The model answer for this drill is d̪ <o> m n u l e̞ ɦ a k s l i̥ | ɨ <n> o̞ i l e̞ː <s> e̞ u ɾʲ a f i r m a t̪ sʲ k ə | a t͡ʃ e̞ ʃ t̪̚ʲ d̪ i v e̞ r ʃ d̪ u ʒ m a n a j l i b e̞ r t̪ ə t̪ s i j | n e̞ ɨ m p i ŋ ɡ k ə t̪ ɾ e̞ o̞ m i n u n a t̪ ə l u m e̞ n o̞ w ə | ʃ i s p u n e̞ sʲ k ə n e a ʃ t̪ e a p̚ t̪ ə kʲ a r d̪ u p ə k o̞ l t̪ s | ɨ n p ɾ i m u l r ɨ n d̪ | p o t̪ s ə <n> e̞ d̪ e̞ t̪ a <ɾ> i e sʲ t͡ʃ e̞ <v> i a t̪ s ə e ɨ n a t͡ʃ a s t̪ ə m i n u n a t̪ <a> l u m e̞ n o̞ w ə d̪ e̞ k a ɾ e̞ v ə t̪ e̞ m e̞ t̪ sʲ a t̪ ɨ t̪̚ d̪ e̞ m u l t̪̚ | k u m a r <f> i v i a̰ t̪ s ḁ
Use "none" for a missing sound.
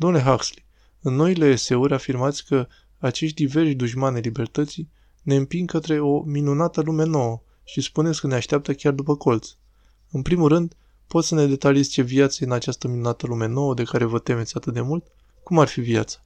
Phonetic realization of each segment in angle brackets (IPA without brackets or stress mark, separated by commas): o, nː, s, n, l, v, ə, f